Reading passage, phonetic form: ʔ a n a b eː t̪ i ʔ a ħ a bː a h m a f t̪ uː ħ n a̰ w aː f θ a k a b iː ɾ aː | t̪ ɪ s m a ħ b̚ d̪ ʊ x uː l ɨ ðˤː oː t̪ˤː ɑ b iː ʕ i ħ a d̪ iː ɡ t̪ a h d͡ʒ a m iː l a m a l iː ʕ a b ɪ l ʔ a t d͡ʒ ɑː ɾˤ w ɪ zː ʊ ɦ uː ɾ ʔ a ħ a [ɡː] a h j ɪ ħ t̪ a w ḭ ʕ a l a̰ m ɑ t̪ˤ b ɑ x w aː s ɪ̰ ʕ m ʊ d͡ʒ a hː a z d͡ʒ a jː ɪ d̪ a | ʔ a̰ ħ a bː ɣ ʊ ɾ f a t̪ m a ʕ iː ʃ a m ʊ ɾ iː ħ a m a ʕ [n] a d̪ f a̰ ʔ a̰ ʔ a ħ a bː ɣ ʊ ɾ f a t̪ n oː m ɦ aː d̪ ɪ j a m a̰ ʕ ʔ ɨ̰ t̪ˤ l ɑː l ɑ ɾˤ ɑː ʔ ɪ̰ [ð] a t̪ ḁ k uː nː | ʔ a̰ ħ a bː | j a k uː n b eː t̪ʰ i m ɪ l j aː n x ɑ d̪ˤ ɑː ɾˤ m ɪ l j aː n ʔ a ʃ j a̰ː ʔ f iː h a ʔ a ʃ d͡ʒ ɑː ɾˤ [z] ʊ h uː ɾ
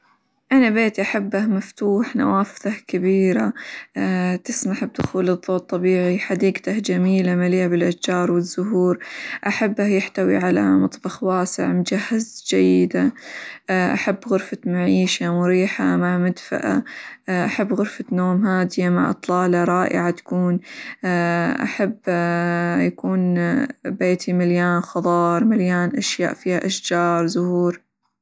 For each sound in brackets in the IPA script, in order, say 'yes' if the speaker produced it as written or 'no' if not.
no, no, no, yes

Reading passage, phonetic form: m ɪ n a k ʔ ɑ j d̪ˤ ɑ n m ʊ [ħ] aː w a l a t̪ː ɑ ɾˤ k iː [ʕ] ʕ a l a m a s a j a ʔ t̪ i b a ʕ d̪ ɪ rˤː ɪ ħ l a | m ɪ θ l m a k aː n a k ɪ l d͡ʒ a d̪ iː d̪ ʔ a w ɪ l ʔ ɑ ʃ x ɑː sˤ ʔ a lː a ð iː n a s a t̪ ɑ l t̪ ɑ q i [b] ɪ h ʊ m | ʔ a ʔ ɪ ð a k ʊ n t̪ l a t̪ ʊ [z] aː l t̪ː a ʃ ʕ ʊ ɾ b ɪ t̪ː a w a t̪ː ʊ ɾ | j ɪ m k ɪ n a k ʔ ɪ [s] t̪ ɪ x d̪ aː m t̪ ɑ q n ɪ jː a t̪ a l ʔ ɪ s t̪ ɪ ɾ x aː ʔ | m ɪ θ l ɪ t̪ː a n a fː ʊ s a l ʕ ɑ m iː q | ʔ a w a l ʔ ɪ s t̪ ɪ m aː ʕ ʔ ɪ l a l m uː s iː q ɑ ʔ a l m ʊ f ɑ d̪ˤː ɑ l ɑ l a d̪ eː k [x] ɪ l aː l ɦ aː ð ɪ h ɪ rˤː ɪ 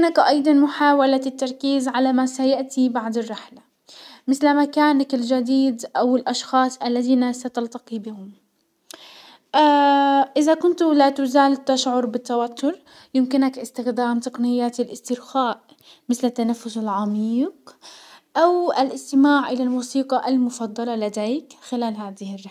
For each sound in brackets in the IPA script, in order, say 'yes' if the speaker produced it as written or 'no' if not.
yes, no, yes, yes, yes, yes

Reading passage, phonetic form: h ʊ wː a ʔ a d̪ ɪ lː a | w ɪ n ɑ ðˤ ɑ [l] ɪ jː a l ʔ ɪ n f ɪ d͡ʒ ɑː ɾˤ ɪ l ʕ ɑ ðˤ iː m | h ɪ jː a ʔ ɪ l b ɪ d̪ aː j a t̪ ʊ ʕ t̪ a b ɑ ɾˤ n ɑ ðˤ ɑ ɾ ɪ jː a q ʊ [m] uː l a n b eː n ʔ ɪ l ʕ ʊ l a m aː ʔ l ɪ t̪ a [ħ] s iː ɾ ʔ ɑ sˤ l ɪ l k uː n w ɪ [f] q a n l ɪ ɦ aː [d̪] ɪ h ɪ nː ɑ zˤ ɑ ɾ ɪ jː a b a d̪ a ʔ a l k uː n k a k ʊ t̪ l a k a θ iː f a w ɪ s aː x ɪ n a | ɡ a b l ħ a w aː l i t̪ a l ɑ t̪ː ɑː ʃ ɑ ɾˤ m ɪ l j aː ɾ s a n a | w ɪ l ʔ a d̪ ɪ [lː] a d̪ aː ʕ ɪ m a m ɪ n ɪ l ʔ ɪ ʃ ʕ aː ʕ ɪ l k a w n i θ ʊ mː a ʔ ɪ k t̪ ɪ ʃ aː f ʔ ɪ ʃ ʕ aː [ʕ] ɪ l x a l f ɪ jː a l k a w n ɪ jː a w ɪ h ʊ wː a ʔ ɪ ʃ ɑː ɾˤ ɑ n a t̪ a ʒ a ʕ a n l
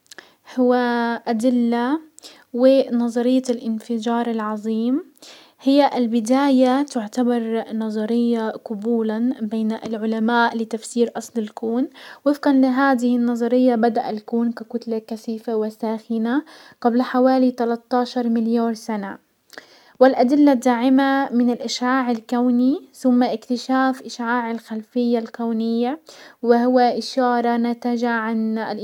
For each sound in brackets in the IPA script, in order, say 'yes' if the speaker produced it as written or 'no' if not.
no, no, no, yes, yes, yes, yes

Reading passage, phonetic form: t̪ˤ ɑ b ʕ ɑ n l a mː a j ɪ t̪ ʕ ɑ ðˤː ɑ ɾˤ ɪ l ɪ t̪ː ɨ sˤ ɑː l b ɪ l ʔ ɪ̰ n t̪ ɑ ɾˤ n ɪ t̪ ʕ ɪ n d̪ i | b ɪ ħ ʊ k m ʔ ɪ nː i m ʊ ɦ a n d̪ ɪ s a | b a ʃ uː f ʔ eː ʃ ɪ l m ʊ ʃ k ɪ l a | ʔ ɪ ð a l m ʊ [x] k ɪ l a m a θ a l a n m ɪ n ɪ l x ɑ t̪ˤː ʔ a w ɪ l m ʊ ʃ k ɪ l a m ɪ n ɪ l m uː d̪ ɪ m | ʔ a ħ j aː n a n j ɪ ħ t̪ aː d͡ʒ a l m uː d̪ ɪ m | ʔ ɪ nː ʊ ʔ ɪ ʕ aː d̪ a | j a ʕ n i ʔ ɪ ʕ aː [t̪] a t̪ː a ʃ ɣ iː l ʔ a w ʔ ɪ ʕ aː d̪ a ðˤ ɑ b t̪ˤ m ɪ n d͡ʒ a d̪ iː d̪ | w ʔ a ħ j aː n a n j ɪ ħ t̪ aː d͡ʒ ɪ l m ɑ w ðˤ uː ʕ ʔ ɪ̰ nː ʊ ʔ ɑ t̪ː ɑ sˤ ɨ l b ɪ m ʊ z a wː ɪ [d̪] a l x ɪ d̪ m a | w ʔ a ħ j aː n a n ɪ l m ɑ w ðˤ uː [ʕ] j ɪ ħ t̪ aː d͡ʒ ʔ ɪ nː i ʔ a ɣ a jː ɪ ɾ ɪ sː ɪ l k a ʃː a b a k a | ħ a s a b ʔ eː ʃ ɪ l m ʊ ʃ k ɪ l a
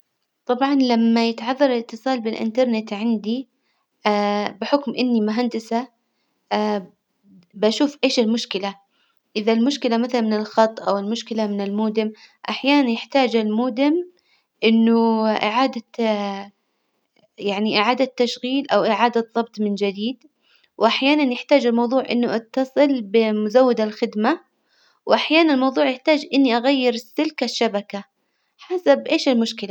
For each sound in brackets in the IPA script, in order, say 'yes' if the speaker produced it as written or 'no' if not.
no, no, yes, yes

